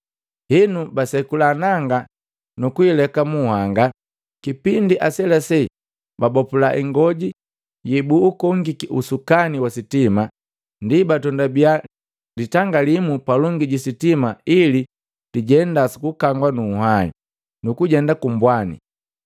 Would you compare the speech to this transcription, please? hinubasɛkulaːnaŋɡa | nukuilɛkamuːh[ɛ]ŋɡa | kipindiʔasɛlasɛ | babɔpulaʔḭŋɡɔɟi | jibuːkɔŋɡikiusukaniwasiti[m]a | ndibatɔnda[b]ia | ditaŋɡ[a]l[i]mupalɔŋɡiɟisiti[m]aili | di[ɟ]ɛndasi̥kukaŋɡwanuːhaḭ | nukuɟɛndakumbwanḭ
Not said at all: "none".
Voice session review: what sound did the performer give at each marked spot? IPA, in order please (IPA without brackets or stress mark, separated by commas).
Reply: a, m, b, a, i, m, ɟ